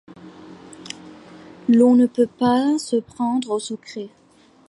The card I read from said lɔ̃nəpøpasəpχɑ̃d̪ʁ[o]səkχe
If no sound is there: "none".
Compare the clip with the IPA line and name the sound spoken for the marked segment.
o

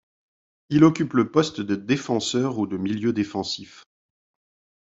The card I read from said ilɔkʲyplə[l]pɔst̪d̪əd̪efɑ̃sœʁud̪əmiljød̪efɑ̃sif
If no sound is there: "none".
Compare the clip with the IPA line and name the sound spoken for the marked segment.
none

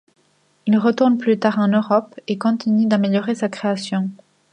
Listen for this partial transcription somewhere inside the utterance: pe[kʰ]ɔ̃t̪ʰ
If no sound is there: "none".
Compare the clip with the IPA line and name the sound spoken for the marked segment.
k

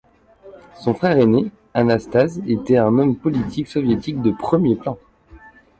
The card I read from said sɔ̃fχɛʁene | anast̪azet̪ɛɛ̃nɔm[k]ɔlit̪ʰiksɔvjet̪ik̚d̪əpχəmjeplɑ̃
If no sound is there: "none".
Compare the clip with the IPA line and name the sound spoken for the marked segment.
p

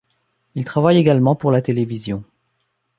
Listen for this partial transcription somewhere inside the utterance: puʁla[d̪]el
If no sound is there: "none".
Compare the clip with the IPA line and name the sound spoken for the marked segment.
t̪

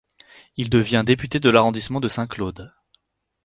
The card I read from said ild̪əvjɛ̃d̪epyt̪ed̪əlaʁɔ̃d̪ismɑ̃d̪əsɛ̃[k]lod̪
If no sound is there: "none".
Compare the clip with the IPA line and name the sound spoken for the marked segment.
k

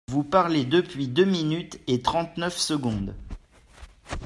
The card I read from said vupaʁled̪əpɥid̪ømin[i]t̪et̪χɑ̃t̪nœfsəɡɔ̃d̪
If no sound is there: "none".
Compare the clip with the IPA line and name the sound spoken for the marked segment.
y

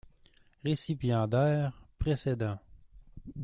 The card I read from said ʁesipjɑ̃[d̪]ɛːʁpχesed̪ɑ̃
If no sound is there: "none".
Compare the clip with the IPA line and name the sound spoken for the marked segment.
d̪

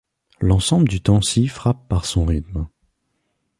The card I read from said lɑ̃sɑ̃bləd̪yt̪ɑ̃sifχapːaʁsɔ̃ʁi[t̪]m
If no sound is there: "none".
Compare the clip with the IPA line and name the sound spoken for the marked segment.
t̪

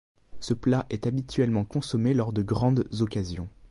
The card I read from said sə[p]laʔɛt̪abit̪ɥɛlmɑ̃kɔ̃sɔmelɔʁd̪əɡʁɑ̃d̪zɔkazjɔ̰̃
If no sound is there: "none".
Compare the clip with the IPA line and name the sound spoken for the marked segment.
p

